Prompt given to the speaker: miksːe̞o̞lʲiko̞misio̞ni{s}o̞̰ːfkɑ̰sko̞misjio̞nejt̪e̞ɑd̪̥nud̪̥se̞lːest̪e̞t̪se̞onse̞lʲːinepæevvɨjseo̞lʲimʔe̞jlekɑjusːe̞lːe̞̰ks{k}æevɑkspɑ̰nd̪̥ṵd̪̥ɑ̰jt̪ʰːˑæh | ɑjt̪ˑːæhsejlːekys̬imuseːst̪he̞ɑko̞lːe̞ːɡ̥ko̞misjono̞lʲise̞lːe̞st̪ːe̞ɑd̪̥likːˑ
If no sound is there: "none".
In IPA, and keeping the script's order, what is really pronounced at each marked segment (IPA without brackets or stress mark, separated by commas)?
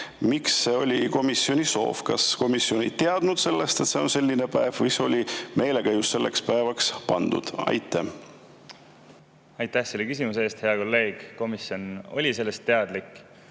s, p